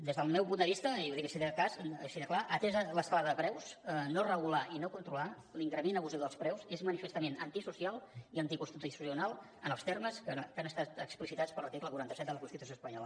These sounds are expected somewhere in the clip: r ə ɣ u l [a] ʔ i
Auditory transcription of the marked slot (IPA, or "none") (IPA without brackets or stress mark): a